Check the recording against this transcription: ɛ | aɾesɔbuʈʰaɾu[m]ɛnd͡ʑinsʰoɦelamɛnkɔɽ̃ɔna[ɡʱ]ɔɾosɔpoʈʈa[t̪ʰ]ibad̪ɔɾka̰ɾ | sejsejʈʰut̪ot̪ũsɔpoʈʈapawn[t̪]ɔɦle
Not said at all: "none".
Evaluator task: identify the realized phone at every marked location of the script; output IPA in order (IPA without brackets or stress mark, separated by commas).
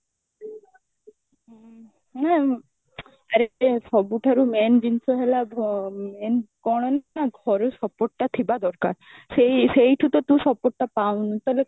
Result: m, ɡʱ, t̪ʰ, t̪